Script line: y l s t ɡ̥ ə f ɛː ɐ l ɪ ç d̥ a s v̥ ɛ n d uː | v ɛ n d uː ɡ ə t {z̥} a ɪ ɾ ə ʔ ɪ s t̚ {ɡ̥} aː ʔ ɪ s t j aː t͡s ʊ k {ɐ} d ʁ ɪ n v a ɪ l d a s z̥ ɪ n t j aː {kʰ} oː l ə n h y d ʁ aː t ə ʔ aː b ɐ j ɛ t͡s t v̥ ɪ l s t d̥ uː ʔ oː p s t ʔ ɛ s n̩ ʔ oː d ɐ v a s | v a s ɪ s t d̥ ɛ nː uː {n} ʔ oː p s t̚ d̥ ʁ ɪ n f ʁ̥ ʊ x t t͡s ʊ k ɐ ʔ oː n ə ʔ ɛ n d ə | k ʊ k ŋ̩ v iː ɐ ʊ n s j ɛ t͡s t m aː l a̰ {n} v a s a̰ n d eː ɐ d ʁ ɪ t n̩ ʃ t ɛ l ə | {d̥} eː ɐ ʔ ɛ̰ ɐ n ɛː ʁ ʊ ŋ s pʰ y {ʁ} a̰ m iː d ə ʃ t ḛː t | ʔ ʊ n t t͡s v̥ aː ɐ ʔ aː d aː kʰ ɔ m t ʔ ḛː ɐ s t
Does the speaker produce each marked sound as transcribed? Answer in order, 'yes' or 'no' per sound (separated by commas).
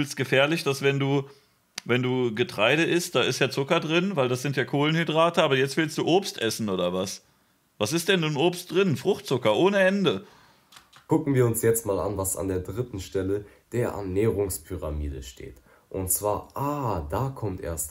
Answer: no, no, yes, yes, yes, yes, yes, yes